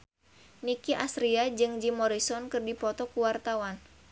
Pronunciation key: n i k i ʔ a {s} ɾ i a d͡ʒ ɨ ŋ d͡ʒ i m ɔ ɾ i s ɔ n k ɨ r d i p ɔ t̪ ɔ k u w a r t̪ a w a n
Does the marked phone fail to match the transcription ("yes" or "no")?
no